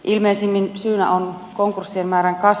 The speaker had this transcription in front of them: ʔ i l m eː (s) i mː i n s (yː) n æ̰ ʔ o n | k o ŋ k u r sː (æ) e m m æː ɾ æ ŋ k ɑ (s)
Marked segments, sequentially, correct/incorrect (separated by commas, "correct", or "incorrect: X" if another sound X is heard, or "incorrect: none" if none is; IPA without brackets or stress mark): correct, correct, incorrect: i, correct